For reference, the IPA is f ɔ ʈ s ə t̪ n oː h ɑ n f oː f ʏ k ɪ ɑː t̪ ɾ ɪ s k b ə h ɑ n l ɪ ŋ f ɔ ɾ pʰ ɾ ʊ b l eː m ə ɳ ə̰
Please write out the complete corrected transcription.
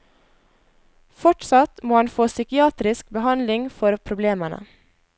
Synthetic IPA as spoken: f ɔ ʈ s ɑ t̪ m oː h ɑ n f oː s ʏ k ɪ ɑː t̪ ɾ ɪ s k b ə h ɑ n l ɪ ŋ f ɔ ɾ pʰ ɾ ʊ b l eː m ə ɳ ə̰